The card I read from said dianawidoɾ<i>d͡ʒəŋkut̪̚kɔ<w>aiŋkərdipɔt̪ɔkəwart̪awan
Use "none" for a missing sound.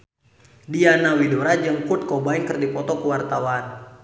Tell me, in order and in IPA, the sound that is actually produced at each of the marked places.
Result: a, b

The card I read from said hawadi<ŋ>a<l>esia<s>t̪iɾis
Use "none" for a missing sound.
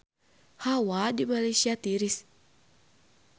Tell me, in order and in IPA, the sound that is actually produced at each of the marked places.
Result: m, l, none

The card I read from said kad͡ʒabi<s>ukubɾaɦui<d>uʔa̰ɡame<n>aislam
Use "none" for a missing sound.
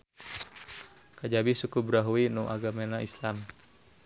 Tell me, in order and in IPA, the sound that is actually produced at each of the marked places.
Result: s, n, n

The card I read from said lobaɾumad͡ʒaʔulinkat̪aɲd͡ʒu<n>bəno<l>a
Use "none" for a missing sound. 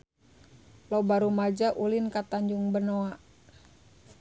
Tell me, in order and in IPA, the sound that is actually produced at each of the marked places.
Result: ŋ, none

